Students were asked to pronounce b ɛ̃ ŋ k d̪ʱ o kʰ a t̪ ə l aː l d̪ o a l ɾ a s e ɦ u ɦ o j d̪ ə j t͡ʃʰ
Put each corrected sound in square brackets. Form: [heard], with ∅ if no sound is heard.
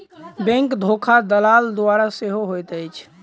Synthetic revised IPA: b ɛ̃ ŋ k d̪ʱ o kʰ a [d̪] ə l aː l d̪ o a [∅] ɾ a s e ɦ [o] ɦ o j [t̪] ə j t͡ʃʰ